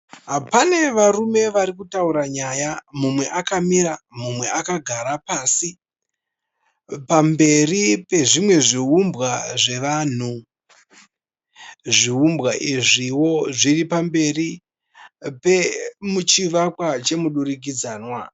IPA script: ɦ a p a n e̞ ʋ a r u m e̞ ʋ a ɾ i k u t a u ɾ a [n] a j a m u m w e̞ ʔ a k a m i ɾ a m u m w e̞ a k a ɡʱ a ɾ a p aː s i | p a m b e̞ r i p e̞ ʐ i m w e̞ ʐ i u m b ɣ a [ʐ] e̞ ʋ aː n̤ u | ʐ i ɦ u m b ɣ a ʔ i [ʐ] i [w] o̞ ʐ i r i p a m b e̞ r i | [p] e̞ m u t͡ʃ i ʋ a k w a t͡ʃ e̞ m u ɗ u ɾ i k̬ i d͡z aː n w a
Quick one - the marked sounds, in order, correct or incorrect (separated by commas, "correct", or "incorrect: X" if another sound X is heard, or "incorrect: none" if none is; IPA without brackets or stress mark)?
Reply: incorrect: ɲ, correct, correct, correct, correct